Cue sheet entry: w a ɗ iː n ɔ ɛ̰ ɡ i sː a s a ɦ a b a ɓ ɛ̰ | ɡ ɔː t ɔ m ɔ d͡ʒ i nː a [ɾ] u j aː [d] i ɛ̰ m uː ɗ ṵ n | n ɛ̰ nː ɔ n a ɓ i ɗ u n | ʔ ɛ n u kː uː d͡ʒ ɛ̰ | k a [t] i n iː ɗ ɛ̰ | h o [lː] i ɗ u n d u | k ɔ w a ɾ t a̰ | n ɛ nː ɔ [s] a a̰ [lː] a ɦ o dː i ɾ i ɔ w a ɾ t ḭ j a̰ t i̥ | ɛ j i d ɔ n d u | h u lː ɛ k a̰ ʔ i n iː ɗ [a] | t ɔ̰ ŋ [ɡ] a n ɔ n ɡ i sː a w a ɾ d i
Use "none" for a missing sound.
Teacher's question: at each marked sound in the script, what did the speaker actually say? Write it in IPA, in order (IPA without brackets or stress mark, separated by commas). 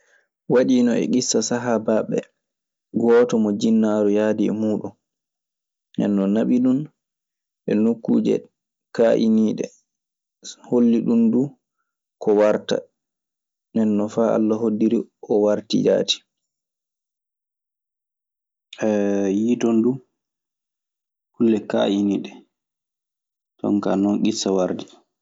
ɾ, d, ʔ, lː, f, lː, ɛ, k